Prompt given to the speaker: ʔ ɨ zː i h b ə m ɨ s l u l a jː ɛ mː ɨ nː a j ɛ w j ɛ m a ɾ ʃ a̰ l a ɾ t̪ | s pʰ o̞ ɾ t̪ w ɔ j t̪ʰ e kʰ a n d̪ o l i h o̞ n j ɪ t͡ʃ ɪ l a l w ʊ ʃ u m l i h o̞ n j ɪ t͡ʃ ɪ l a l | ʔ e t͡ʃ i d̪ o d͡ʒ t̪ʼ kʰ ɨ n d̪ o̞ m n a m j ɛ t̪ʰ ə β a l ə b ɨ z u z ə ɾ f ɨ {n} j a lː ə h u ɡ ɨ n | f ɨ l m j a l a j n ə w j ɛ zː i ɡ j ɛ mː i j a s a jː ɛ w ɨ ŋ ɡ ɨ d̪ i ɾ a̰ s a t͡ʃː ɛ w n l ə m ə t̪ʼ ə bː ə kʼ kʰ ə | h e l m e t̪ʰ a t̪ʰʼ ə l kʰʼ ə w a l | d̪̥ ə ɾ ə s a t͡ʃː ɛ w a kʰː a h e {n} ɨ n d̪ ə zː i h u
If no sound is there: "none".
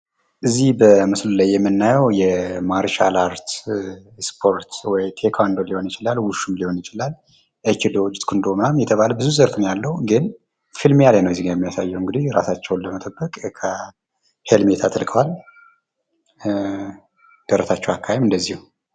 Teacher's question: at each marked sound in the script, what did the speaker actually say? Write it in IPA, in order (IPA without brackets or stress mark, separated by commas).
n, m